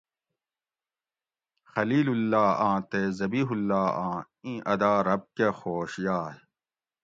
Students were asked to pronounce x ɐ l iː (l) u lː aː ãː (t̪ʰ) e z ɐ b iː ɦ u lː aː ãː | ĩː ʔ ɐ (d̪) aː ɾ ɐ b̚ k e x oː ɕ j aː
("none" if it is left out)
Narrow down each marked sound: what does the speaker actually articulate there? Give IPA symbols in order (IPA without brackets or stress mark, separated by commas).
l, t̪, d̪